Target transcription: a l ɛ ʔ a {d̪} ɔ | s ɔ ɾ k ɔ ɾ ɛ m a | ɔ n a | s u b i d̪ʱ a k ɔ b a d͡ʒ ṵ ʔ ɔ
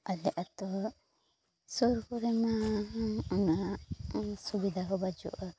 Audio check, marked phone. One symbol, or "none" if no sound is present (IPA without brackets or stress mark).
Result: t̪